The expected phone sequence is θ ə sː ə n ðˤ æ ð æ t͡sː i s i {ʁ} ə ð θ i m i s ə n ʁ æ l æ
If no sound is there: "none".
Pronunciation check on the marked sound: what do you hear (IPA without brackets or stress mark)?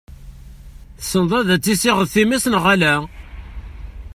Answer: ʁ